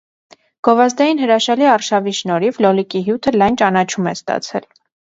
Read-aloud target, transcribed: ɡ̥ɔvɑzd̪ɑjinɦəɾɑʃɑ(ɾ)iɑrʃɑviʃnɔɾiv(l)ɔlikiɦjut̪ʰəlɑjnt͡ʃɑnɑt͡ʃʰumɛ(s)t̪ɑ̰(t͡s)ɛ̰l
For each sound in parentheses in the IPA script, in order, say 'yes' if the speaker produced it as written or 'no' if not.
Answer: no, yes, yes, no

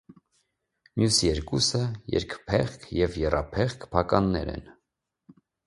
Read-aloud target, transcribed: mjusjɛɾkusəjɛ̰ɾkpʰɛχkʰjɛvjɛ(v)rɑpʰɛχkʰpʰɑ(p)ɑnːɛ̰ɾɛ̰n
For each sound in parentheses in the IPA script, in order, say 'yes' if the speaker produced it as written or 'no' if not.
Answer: no, no

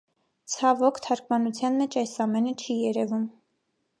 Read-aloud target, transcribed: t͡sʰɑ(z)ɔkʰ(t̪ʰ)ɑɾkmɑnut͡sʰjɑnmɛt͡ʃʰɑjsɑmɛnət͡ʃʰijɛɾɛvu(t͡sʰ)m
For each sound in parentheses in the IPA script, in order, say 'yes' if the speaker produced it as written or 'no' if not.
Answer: no, yes, no

